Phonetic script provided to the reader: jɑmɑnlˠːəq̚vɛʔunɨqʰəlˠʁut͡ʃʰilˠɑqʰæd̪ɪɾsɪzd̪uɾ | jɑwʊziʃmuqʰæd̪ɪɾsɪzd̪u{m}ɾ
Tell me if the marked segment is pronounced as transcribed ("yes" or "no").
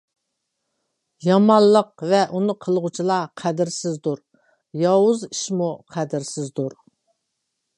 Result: no